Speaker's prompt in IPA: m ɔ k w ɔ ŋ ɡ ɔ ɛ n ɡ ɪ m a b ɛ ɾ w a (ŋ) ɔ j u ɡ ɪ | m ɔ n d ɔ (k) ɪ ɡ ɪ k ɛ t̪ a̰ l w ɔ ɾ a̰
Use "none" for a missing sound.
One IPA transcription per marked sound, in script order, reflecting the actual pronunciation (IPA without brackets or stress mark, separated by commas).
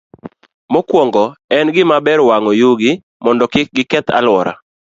ŋ, k